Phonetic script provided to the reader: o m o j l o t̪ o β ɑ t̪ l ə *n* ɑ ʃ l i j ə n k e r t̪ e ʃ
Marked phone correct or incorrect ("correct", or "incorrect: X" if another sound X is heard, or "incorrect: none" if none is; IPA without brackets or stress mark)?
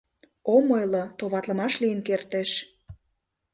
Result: incorrect: m